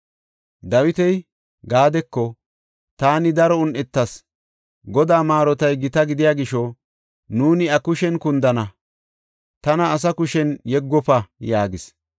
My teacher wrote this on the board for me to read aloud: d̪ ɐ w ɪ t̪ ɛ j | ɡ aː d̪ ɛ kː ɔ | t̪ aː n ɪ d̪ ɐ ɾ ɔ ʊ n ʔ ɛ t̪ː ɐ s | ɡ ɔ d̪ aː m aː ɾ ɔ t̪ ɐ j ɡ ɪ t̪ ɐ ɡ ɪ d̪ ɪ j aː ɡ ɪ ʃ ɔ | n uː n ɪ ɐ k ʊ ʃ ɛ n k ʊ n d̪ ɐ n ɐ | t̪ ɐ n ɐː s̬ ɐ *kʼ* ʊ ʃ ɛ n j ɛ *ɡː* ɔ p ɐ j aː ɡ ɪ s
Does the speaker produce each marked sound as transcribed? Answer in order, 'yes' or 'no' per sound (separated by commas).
no, yes